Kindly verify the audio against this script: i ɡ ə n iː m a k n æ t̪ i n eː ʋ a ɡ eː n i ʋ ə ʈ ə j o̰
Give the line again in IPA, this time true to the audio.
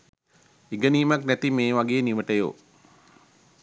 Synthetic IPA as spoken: i ɡ ə n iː m a k n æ t̪ i m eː ʋ a ɡ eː n i ʋ ə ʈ ə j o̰